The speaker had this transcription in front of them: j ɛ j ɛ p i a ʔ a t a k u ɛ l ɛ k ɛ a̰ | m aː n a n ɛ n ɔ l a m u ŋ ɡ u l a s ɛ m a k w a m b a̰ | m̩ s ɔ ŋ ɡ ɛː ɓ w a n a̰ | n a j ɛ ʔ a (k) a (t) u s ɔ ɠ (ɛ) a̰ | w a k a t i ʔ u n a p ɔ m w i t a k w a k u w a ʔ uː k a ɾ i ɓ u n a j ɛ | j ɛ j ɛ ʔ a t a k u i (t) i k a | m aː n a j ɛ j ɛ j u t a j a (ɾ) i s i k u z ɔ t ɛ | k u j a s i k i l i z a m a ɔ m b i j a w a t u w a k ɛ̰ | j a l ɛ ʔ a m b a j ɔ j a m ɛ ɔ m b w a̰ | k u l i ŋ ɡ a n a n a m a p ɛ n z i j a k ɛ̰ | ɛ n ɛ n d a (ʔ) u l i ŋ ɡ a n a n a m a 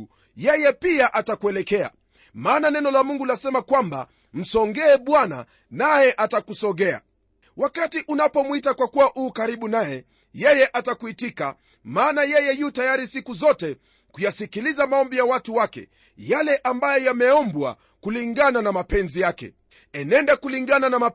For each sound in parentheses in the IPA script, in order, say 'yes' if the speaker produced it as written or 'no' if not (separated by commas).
no, no, yes, yes, yes, no